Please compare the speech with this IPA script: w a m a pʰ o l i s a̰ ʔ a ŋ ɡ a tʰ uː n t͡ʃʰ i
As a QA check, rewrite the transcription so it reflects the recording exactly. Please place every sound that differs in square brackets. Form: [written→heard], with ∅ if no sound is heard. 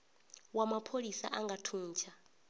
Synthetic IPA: w a m a pʰ o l i s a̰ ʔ a ŋ ɡ a tʰ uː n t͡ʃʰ [i→a]